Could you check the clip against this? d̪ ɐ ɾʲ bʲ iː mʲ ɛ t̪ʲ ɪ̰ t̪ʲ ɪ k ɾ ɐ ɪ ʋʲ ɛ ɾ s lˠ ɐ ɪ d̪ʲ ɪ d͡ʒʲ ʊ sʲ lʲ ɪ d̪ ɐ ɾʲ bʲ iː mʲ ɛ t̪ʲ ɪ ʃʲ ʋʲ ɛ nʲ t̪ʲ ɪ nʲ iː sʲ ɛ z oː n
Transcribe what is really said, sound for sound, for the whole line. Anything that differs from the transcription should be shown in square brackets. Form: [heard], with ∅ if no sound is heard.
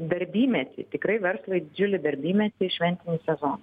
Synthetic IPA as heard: d̪ ɐ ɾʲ bʲ iː mʲ ɛ t̪ʲ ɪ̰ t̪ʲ ɪ k ɾ ɐ ɪ ʋʲ ɛ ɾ s lˠ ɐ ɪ d̪ʲ ɪ d͡ʒʲ ʊ [∅] lʲ ɪ d̪ ɐ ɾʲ bʲ iː mʲ ɛ t̪ʲ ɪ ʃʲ ʋʲ ɛ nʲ t̪ʲ ɪ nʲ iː sʲ ɛ z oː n